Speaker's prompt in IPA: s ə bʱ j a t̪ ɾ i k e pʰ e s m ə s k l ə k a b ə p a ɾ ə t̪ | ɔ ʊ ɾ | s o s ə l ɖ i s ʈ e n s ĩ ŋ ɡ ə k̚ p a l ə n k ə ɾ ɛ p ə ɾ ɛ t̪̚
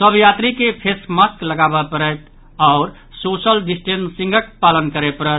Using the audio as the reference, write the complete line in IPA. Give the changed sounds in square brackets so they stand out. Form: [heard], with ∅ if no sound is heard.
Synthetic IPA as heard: s ə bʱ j a t̪ ɾ i k e pʰ e s m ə s k l ə [ɡ] a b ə p [ə] ɾ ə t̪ | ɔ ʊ ɾ | s o s ə l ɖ i s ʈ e n s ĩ ŋ ɡ ə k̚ p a l ə n k ə ɾ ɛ p ə ɾ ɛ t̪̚